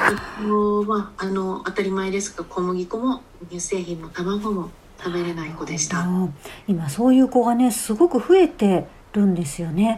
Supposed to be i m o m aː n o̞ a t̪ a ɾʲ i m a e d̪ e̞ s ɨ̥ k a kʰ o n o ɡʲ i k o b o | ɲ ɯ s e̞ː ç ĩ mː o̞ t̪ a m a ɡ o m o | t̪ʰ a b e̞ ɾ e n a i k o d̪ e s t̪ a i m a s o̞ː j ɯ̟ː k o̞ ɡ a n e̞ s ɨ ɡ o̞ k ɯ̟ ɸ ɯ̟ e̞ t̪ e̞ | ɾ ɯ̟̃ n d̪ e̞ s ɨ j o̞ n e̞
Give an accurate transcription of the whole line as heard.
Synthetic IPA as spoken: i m o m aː n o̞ a t̪ a ɾʲ i m a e d̪ e̞ s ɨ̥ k a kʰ o m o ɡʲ i k o m o | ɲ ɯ s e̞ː ç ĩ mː o̞ t̪ a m a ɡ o m o | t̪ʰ a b e̞ ɾ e n a i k o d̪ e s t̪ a i m a s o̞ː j ɯ̟ː k o̞ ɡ a n e̞ s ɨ ɡ o̞ k ɯ̟ ɸ ɯ̟ e̞ t̪ e̞ | ɾ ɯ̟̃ n d̪ e̞ s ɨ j o̞ n e̞